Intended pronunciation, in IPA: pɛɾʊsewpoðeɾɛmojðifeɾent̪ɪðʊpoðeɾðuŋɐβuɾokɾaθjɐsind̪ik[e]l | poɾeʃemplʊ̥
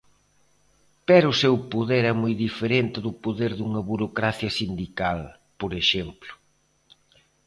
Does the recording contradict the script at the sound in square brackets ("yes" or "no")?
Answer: yes